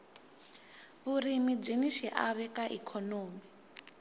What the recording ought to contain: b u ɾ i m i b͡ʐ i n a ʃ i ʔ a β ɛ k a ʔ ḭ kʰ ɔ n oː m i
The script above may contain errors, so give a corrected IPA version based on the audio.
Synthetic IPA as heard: β u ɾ i m i b͡ʐ i n i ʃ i ʔ a β ɛ k a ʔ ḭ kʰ ɔ n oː m i